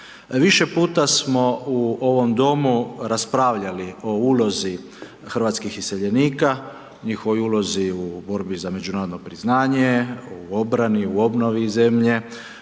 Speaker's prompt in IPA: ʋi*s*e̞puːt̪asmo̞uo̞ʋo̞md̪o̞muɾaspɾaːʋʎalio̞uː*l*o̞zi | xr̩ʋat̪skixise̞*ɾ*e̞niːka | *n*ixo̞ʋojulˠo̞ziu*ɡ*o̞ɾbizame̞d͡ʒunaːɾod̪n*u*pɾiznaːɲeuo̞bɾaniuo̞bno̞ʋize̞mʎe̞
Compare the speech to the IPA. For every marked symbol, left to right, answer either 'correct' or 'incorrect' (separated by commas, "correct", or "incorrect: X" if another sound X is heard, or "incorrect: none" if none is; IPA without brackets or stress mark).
incorrect: ʃ, correct, incorrect: ʎ, incorrect: ɲ, incorrect: b, incorrect: o